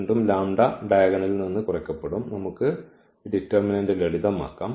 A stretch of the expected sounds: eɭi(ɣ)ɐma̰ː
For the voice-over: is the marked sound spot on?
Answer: no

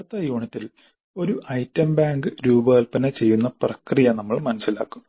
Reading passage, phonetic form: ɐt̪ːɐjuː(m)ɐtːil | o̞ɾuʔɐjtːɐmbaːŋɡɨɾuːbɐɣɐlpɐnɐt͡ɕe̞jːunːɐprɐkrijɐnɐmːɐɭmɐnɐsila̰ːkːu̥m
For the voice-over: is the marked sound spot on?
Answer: no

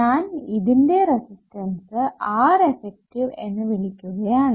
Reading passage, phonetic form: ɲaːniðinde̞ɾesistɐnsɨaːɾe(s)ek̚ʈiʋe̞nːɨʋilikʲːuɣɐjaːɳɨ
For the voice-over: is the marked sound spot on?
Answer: no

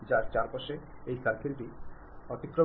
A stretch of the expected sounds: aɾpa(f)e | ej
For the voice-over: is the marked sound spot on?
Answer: no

